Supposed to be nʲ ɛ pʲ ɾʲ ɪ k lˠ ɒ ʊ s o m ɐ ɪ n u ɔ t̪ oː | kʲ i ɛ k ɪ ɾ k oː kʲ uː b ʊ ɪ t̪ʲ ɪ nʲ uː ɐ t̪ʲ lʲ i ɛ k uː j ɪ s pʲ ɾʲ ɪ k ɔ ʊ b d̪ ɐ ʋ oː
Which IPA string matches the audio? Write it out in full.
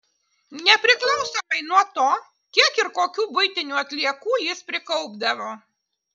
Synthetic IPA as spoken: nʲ ɛ pʲ ɾʲ ɪ k lˠ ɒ ʊ s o m ɐ ɪ n u ɔ t̪ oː | kʲ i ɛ k ɪ ɾ k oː kʲ uː b ʊ ɪ t̪ʲ ɪ nʲ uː ɐ t̪ʲ lʲ i ɛ k uː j ɪ s pʲ ɾʲ ɪ k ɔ ʊ b d̪ ɐ ʋ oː